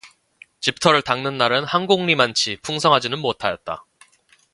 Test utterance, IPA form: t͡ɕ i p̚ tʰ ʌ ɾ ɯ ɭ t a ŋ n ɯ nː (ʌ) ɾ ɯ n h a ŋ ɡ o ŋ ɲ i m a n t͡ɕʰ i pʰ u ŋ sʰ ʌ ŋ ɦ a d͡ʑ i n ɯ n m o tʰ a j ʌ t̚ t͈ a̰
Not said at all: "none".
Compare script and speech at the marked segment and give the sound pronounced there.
a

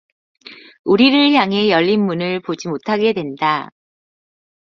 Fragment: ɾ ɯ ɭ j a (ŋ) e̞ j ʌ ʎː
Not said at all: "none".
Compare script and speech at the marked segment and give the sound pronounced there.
ŋ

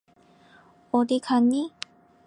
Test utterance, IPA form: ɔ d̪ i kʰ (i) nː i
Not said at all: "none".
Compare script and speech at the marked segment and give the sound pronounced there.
a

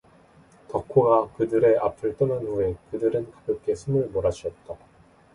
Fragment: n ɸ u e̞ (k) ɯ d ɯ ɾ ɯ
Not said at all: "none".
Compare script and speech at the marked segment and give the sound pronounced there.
k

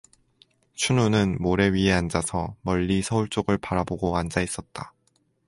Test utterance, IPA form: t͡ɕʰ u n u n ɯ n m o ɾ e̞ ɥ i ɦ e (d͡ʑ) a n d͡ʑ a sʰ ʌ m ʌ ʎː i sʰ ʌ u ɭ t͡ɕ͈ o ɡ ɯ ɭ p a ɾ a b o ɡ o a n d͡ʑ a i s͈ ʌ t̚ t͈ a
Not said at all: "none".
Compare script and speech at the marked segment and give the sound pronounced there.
none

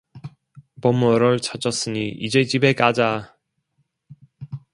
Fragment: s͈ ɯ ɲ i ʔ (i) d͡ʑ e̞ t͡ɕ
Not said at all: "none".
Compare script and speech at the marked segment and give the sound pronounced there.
i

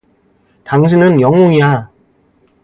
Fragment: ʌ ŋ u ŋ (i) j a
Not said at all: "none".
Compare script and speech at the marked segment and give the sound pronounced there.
i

